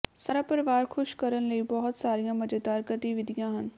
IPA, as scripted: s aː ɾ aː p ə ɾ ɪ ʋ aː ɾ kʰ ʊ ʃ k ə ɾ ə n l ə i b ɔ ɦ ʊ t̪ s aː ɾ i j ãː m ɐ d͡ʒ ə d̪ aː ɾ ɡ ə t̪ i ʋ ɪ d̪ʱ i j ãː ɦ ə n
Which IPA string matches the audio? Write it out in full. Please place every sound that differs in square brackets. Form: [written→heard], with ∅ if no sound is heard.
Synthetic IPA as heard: s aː ɾ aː p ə ɾ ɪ ʋ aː ɾ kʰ ʊ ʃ k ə ɾ ə n l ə i b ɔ ɦ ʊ t̪ s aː ɾ i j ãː m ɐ d͡ʒ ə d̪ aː ɾ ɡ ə t̪ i ʋ ɪ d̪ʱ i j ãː ɦ ə n